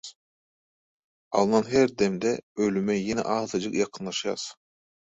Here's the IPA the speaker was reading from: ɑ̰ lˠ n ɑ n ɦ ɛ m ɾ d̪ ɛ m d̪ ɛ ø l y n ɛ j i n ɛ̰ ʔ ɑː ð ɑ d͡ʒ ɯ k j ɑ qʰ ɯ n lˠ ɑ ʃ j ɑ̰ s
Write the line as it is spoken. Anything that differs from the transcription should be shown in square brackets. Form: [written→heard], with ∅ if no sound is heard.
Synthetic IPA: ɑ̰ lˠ n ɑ n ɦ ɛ [m→∅] ɾ d̪ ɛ m d̪ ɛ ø l y [n→m] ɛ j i n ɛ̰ ʔ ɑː [ð→z] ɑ d͡ʒ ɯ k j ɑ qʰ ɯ n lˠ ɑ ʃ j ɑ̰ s